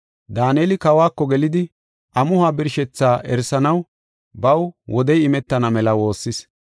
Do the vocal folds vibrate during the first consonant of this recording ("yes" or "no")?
yes